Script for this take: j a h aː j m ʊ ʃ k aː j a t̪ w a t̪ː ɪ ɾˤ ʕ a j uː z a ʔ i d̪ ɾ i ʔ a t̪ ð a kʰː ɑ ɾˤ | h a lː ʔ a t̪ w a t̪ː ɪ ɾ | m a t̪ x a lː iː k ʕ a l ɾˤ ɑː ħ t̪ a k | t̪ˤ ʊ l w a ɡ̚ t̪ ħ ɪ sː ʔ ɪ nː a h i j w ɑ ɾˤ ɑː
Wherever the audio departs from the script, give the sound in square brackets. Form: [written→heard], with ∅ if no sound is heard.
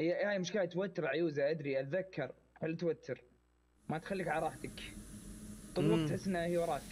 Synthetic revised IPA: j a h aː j m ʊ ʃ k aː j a t̪ w a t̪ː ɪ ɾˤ ʕ a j uː z a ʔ [i→a] d̪ ɾ i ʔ a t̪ ð a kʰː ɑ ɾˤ | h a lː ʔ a t̪ w a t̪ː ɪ ɾ | m a t̪ x a lː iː k ʕ a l ɾˤ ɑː ħ t̪ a k | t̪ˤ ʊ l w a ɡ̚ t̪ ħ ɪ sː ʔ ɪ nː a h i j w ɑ ɾˤ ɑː